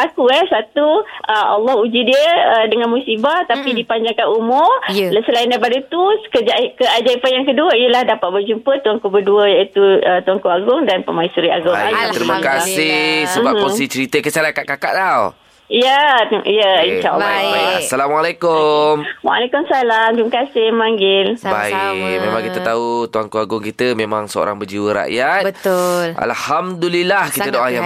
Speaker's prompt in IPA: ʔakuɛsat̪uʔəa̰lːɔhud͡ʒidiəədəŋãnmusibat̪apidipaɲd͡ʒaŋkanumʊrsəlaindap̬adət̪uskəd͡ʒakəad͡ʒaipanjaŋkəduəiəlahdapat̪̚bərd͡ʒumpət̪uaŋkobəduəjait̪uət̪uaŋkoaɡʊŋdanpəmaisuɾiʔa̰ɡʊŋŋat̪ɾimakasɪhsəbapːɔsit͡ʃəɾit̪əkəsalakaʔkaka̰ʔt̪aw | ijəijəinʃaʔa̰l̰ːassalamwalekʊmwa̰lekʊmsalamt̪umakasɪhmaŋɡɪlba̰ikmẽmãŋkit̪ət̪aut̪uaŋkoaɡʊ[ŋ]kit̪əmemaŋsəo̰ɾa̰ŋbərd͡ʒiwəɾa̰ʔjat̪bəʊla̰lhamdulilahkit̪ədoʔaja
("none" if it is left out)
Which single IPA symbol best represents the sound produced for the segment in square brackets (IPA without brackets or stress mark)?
ŋ